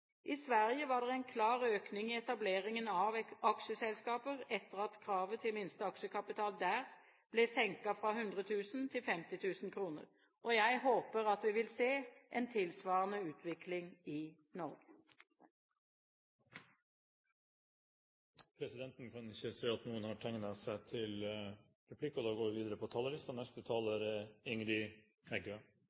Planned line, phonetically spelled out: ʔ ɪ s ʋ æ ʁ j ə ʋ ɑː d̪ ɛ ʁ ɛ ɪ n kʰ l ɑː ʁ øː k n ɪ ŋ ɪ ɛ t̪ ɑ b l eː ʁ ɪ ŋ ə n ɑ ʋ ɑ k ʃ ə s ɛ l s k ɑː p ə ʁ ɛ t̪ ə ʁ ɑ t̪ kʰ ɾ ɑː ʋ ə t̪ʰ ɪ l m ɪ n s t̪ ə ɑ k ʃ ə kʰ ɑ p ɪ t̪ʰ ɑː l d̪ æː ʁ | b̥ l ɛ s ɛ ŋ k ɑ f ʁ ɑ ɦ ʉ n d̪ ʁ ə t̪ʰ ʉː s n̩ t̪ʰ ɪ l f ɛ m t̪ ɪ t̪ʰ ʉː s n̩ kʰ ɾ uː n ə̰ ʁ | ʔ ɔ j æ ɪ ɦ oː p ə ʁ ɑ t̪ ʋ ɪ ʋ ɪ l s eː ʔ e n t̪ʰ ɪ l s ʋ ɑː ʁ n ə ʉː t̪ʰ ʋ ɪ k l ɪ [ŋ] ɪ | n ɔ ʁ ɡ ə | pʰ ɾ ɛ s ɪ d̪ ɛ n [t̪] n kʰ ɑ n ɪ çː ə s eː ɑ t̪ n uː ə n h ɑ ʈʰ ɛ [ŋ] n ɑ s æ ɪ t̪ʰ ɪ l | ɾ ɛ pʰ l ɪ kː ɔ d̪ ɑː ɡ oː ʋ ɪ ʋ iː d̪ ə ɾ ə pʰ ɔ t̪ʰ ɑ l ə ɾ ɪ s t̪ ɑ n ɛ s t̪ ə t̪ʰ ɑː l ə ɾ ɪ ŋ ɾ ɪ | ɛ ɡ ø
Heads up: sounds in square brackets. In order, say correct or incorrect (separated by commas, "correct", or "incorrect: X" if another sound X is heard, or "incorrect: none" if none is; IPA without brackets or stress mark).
correct, correct, correct